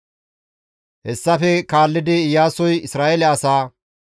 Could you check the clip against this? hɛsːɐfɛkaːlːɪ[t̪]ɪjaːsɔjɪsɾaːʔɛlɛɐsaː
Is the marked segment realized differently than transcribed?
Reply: yes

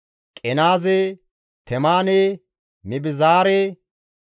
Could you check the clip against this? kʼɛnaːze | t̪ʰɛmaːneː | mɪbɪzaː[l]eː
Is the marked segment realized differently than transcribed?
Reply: yes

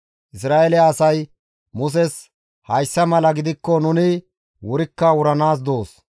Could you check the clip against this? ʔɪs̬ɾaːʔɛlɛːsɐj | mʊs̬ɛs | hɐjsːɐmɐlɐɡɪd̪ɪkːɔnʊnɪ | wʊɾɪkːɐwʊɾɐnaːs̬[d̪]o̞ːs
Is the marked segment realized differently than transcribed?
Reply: no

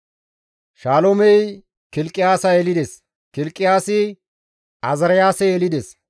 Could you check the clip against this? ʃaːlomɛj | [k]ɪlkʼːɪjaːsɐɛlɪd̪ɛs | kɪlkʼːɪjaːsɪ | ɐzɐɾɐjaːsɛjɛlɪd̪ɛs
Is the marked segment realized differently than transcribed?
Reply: no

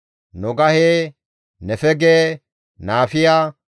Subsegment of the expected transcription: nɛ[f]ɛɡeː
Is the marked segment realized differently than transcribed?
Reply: no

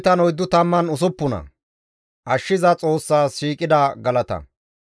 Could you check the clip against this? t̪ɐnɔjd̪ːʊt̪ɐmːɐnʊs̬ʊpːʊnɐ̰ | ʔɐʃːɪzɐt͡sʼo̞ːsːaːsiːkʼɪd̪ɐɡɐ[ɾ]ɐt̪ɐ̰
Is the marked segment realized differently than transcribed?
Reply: yes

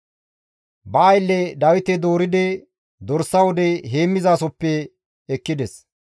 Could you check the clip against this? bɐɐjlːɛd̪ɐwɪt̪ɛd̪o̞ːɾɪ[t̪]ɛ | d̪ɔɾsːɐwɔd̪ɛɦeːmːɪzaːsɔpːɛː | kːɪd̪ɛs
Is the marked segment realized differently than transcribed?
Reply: yes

